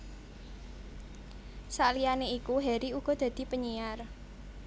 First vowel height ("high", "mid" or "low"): low